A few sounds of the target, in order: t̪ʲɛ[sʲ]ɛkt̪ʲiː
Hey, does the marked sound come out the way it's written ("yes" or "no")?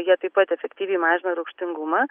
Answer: no